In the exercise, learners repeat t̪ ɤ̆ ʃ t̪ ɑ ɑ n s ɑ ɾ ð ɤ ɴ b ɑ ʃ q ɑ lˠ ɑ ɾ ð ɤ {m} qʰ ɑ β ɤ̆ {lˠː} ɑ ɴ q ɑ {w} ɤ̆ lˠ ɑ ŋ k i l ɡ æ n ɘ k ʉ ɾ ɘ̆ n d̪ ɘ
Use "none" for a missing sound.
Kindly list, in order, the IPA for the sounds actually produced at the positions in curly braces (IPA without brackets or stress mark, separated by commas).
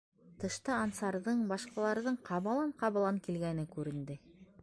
ɴ, lˠ, β